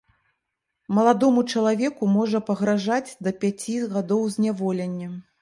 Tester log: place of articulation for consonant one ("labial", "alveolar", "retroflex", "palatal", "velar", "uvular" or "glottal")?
labial